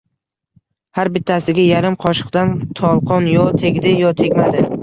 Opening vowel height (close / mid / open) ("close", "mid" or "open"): open